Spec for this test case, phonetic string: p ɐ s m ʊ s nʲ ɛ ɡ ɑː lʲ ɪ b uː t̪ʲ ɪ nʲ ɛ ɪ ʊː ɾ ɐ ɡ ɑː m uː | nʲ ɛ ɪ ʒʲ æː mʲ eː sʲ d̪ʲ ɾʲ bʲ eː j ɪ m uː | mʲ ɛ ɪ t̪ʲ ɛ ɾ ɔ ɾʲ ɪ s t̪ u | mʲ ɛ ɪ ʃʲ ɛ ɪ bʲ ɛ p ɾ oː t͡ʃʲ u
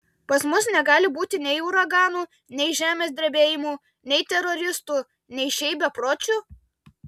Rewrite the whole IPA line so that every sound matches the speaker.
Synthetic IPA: p ɐ s m ʊ s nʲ ɛ ɡ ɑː lʲ ɪ b uː t̪ʲ ɪ nʲ ɛ ɪ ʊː ɾ ɐ ɡ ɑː n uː | nʲ ɛ ɪ ʒʲ æː mʲ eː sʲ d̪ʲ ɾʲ bʲ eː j ɪ m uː | nʲ ɛ ɪ t̪ʲ ɛ ɾ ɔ ɾʲ ɪ s t̪ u | nʲ ɛ ɪ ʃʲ ɛ ɪ bʲ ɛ p ɾ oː t͡ʃʲ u